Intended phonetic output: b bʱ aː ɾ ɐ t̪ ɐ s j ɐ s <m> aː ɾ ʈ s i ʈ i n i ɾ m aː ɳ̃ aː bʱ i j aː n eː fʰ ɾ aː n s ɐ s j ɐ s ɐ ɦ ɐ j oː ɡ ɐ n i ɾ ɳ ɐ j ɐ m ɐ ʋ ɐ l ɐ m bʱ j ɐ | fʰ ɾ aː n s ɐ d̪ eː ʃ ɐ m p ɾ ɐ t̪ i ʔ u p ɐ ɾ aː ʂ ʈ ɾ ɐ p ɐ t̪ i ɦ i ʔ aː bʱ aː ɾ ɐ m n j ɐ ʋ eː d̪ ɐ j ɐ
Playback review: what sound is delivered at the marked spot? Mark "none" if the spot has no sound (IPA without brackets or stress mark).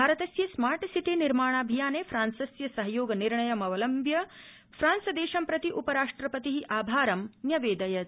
m